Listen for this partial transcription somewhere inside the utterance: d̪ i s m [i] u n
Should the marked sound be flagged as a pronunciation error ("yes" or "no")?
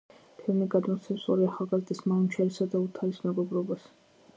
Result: yes